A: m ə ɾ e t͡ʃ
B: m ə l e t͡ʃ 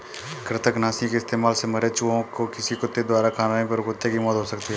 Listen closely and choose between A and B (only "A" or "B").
A